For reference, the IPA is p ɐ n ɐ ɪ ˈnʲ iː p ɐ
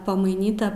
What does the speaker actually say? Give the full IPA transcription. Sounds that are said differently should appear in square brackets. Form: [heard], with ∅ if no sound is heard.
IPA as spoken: p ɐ [m] ɐ ɪ ˈnʲ iː [t] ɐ